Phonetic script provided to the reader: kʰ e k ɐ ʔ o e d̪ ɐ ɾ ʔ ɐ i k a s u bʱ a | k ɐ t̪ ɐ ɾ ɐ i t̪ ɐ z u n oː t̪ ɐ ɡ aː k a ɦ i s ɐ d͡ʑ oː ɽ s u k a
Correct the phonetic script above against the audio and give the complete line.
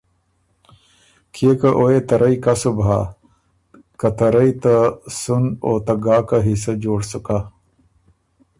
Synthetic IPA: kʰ e k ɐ ʔ o e t̪ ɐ ɾ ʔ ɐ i k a s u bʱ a | k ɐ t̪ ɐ ɾ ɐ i t̪ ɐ s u n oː t̪ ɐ ɡ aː k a ɦ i s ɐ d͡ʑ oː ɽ s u k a